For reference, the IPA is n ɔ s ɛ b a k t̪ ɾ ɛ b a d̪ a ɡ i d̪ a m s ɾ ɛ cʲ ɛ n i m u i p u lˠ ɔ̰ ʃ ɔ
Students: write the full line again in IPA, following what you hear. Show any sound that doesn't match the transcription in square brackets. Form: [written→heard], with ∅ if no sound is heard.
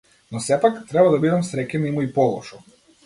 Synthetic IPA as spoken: n ɔ s ɛ [b→p] a k t̪ ɾ ɛ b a d̪ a [ɡ→b] i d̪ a m s ɾ ɛ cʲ ɛ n i m u i p [u→ɔ] lˠ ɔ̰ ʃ ɔ